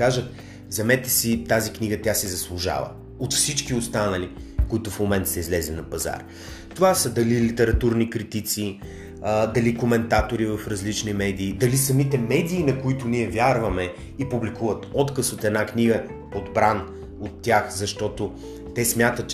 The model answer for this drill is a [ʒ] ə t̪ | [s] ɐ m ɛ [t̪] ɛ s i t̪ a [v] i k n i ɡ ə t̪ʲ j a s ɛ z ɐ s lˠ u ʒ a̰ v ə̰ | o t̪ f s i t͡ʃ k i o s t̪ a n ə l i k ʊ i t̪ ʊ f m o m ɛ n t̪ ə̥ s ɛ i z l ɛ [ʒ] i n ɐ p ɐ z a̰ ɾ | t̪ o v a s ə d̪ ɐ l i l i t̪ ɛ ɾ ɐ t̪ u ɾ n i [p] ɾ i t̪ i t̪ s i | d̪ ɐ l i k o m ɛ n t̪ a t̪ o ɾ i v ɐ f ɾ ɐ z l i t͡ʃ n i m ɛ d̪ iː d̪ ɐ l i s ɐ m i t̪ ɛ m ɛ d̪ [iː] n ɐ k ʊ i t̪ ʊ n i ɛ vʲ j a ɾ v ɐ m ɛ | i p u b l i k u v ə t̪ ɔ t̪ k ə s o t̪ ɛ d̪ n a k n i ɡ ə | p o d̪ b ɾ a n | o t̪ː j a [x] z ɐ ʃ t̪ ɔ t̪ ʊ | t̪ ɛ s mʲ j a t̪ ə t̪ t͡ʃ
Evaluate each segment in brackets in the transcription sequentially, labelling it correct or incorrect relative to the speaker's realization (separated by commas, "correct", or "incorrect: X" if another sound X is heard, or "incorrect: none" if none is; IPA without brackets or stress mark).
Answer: correct, incorrect: z, correct, incorrect: z, incorrect: z, incorrect: k, correct, correct